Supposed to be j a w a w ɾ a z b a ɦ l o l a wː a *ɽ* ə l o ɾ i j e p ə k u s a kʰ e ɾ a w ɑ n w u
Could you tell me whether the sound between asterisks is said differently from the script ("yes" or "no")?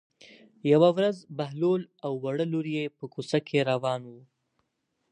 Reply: no